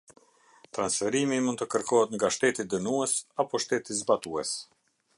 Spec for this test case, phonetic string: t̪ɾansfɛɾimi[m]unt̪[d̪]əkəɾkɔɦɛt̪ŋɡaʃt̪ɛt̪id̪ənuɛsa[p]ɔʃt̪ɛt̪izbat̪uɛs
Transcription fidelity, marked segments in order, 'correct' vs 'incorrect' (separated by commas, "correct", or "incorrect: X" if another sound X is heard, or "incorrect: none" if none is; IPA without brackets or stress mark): correct, incorrect: t̪, correct